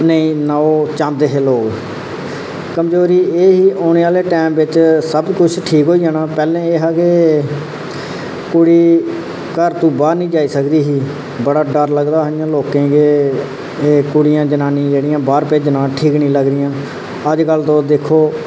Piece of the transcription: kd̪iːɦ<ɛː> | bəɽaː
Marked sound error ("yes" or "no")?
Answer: yes